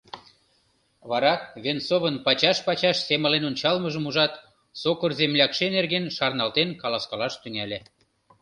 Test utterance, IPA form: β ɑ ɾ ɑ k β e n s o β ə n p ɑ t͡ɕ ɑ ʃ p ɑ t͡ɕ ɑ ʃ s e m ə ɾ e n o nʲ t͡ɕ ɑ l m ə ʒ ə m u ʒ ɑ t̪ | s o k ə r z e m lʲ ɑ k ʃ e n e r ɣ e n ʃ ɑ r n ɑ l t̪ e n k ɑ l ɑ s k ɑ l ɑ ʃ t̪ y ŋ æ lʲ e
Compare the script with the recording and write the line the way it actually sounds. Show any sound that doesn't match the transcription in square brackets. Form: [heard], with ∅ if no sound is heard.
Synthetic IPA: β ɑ ɾ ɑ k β e n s o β ə n p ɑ t͡ɕ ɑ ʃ p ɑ t͡ɕ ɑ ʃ s e m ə [l] e n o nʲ t͡ɕ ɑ l m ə ʒ ə m u ʒ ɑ t̪ | s o k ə r z e m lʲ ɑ k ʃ e n e r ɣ e n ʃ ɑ r n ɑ l t̪ e n k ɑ l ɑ s k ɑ l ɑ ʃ t̪ y ŋ æ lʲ e